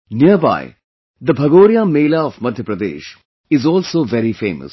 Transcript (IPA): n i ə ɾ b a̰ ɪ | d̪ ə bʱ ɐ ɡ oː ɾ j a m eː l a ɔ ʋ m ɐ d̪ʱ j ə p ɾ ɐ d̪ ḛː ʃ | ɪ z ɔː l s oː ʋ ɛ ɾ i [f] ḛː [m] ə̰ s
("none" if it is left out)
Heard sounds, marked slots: f, m

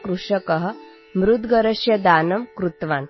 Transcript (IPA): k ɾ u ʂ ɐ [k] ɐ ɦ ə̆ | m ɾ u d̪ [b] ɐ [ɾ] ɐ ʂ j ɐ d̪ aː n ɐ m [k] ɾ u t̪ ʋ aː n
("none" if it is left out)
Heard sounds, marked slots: k, ɡ, ɾ, k

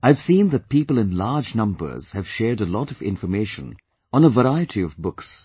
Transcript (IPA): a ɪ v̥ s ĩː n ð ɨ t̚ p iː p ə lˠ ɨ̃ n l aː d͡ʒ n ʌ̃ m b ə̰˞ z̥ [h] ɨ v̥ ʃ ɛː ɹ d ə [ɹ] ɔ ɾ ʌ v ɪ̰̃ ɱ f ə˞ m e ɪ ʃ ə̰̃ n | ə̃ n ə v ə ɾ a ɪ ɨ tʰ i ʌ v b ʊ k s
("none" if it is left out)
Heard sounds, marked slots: h, l

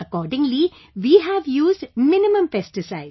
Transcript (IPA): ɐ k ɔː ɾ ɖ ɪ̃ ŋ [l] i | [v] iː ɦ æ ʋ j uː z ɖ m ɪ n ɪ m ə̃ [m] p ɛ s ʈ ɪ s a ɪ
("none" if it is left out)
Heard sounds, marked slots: l, ʋ, m

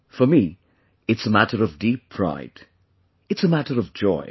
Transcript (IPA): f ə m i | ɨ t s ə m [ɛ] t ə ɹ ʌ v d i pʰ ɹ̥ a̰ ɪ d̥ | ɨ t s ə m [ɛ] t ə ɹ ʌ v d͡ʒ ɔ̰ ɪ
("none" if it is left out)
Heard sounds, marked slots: æ, æ

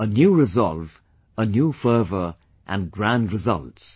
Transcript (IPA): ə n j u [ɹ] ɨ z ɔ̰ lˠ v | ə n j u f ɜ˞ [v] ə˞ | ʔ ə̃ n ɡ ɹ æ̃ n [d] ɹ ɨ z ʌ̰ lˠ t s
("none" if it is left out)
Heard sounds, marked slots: ɹ, v, d

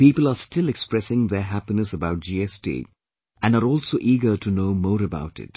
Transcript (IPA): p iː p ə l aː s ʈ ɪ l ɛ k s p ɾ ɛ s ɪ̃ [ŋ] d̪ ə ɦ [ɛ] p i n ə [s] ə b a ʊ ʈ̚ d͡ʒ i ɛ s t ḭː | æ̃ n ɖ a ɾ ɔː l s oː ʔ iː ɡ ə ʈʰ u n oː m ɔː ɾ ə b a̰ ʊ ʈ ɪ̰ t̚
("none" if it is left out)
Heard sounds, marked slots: ŋ, æ, s

